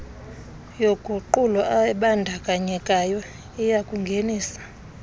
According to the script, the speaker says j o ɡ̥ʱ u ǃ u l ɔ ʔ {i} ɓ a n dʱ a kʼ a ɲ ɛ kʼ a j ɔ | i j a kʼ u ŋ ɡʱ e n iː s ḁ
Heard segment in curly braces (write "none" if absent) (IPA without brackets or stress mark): a